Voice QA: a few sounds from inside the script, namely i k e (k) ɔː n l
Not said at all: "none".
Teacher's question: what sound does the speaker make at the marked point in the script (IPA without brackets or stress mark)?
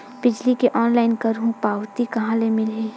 ʔ